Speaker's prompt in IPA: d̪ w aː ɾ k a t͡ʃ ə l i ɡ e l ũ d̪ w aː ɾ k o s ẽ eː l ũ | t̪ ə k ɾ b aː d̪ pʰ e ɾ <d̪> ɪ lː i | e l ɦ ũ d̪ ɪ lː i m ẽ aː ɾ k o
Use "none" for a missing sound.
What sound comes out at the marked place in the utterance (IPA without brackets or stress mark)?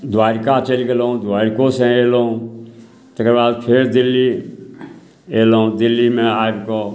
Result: d̪